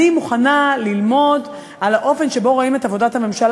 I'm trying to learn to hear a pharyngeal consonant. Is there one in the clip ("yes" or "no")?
no